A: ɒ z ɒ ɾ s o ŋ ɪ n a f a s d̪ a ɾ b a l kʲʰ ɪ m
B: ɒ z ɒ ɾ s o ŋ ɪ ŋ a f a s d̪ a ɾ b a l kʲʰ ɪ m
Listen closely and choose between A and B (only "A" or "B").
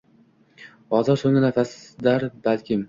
A